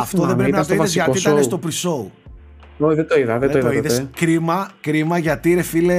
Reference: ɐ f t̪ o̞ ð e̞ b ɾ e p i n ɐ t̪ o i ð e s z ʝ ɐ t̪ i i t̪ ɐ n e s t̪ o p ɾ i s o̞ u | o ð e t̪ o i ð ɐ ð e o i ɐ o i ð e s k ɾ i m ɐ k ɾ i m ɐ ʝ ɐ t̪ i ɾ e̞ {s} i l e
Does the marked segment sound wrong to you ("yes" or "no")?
yes